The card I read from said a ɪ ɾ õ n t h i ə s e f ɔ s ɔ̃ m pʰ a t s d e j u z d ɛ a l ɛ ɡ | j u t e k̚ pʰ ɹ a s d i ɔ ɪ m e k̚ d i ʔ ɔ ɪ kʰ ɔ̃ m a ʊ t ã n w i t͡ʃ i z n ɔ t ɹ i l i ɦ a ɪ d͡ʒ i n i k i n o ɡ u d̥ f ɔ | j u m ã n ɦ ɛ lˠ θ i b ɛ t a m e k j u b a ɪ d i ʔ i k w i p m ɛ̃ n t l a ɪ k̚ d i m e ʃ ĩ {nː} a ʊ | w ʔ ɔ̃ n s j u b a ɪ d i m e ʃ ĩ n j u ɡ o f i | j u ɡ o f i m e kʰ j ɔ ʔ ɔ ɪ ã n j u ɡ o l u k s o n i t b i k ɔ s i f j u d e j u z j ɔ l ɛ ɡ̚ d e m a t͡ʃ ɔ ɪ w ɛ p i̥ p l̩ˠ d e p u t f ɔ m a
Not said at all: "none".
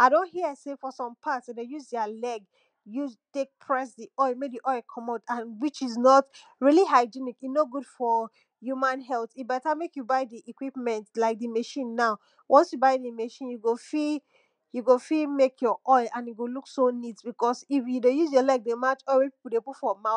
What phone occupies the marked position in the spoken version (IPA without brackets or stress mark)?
nː